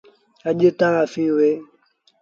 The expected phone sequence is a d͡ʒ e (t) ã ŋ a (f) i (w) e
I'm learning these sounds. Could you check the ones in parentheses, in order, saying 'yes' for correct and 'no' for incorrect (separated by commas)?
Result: yes, yes, yes